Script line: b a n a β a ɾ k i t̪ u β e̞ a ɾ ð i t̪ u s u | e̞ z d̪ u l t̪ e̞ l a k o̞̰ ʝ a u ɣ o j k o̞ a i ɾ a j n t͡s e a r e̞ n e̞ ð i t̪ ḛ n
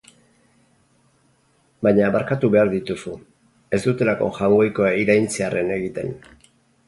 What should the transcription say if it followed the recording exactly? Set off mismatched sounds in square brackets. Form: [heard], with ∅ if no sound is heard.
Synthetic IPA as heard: b a [ɲ] a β a ɾ k [a] t̪ u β e̞ a ɾ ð i t̪ u s u | e̞ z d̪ u [∅] t̪ e̞ l a k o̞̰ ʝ a [w] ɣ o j k o̞ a i ɾ a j n t͡s e a r e̞ n e̞ [ɣ] i t̪ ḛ n